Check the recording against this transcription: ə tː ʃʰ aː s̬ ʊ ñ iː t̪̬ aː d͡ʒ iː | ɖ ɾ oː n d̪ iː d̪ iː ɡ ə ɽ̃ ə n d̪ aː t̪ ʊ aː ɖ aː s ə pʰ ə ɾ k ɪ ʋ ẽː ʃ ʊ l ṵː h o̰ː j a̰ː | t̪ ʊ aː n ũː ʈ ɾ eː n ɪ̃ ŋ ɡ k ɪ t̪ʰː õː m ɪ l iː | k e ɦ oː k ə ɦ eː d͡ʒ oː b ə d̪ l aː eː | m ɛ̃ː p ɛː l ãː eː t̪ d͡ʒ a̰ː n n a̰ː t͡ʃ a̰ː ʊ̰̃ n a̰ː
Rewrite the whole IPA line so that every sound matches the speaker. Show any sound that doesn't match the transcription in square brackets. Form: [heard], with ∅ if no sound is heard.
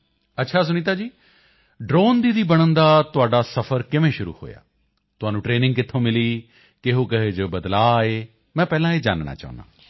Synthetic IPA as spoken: ə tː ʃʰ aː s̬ ʊ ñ iː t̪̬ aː d͡ʒ iː | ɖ ɾ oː n d̪ iː d̪ iː [b] ə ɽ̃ ə n d̪ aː t̪ ʊ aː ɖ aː s ə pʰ ə ɾ k ɪ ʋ ẽː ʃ ʊ [ɾ] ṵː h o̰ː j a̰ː | t̪ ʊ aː n ũː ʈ ɾ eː n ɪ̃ ŋ ɡ k ɪ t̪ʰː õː m ɪ l iː | k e ɦ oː k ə ɦ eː d͡ʒ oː b ə d̪ l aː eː | m ɛ̃ː p ɛː l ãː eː [∅] d͡ʒ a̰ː n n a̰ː t͡ʃ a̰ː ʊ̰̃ n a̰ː